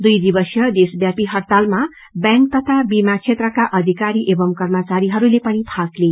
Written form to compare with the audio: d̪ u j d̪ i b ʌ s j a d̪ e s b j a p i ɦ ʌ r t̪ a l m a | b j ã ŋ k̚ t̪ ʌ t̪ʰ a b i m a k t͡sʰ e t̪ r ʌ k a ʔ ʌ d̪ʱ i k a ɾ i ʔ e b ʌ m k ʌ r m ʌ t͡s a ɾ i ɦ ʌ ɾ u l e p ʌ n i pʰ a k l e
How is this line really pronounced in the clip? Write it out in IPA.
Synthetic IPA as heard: d̪ u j d̪ i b ʌ s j ʌ d̪ e s b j a p i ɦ ʌ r t̪ a l m a | b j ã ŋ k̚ t̪ ʌ t̪ʰ a b i m a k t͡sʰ e t̪ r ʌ k a ʔ ʌ d̪ʱ i k a ɾ i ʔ e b ʌ m k ʌ r m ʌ t͡s a ɾ i ɦ ʌ ɾ u l e p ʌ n i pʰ a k l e